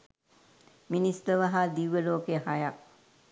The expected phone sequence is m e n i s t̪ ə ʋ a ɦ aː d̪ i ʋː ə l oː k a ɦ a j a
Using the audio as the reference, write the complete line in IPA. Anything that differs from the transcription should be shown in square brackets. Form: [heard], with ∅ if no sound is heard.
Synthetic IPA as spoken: m [i] n i s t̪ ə ʋ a ɦ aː d̪ i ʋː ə l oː k [e] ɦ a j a